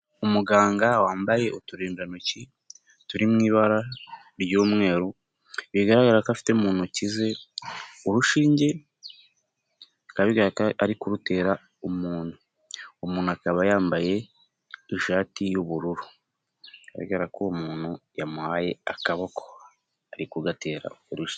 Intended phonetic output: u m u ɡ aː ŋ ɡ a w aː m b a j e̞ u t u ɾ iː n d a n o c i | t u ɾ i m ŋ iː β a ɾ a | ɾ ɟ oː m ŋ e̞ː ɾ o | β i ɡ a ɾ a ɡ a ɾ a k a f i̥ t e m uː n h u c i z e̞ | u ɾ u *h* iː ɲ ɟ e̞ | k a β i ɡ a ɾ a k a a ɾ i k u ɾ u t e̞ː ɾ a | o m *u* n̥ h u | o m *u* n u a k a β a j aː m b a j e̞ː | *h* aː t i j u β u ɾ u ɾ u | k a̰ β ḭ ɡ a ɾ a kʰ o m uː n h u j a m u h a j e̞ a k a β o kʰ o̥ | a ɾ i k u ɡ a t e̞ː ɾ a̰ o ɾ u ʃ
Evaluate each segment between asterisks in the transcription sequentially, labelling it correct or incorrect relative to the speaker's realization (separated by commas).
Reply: incorrect, incorrect, incorrect, incorrect